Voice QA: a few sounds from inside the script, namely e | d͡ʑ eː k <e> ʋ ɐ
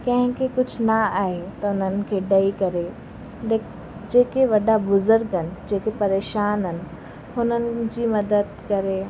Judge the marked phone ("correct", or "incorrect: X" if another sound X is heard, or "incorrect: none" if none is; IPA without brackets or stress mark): correct